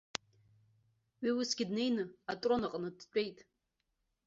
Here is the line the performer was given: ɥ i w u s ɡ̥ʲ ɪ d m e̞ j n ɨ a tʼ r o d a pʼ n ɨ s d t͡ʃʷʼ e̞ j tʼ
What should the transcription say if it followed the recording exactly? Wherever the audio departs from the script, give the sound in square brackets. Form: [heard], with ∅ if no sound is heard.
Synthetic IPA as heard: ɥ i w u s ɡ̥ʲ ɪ d [n] e̞ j n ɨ a tʼ r o [n] a [qʼ] n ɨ [∅] d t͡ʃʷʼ e̞ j tʼ